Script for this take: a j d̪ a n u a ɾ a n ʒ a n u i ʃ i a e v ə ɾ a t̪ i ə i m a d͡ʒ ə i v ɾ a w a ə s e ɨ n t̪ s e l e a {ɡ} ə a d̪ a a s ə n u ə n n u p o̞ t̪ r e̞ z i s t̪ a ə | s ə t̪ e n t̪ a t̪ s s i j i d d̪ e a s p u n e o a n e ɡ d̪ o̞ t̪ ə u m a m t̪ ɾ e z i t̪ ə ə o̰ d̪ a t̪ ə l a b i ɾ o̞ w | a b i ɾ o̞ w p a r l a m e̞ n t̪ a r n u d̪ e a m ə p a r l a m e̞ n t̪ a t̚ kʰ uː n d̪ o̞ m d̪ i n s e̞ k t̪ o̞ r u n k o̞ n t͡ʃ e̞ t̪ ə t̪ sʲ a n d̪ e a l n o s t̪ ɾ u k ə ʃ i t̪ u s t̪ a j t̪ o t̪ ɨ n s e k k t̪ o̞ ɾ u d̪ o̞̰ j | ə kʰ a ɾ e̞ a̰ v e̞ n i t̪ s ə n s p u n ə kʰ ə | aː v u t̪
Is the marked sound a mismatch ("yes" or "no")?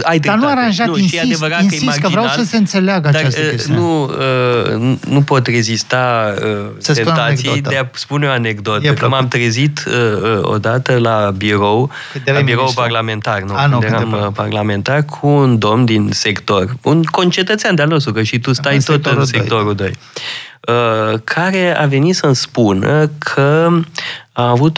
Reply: no